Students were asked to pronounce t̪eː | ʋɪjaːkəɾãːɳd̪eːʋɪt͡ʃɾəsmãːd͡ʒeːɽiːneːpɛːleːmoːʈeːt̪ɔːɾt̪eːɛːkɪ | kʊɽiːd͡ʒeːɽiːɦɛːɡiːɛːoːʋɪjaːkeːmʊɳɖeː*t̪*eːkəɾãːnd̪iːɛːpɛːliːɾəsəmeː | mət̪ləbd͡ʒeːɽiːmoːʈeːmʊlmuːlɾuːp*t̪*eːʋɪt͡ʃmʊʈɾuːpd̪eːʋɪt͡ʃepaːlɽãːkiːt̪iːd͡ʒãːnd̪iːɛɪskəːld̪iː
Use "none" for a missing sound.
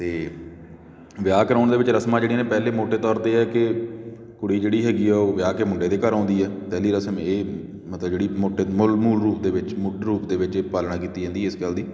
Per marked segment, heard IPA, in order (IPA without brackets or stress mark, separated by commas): d̪, d̪